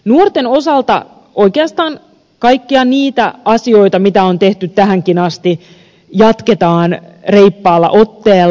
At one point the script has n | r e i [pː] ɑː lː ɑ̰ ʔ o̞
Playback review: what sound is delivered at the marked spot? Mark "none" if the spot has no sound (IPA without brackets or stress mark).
pː